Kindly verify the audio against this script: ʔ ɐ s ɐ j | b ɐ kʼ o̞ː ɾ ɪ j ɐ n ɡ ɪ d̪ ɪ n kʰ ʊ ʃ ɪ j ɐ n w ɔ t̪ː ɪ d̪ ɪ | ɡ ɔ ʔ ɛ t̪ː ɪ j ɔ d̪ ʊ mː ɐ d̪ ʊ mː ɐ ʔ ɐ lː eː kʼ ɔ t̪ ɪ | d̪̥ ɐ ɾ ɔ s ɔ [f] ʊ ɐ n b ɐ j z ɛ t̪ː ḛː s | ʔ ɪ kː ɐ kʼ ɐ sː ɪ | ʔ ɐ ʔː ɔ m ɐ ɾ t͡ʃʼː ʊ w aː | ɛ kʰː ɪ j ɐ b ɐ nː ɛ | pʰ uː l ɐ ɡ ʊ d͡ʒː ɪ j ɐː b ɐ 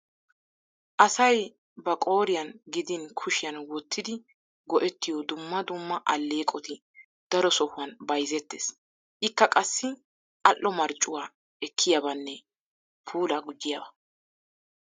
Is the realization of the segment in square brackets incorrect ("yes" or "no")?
yes